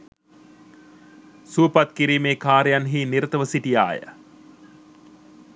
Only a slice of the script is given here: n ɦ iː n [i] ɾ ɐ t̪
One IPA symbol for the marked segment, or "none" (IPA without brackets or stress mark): i